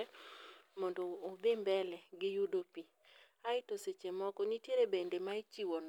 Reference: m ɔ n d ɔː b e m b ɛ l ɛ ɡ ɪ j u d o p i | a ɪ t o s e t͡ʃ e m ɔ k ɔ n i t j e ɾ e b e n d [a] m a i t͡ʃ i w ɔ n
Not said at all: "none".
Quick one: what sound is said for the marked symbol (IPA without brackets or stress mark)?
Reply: e